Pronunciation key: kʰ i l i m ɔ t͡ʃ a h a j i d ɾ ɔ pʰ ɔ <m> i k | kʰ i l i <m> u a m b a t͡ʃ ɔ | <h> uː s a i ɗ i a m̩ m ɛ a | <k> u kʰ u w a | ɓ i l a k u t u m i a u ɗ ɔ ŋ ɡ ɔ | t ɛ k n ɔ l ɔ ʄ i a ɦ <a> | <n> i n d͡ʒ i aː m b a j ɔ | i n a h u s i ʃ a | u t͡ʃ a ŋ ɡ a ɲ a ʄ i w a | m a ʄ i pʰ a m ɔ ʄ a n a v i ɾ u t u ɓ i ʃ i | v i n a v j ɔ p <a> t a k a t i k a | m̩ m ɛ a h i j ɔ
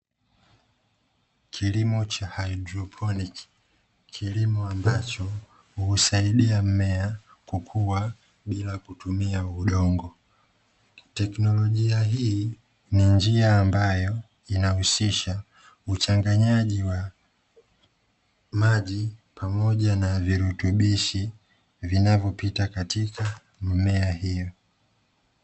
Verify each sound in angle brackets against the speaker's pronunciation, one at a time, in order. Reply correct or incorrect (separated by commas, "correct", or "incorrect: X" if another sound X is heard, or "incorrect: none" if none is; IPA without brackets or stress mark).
incorrect: n, correct, correct, correct, incorrect: i, correct, incorrect: i